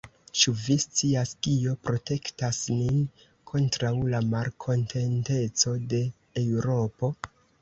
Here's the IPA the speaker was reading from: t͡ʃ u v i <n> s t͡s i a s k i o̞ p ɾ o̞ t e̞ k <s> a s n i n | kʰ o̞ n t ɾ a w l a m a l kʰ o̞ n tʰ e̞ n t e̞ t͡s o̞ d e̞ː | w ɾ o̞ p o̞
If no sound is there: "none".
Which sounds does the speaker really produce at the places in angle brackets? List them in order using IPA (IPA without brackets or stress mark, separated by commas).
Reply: none, t